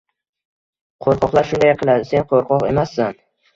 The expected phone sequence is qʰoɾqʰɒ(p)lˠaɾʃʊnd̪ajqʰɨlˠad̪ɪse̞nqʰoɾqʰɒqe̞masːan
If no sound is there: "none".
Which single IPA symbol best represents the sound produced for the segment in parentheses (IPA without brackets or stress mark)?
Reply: q